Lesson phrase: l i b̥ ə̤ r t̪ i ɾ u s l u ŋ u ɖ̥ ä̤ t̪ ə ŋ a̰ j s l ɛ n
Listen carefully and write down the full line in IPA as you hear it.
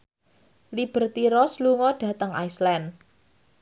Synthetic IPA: l i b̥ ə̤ r t̪ i ɾ ɔ s l u ŋ ɔ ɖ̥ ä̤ t̪ ə ŋ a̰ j s l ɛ n